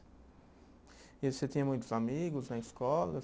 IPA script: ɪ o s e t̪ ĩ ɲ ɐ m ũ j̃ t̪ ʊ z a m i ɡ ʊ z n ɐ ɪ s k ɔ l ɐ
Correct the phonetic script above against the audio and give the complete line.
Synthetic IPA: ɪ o s e t̪ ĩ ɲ ɐ m ũ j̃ t̪ ʊ z a m i ɡ ʊ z n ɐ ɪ s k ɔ l ɐ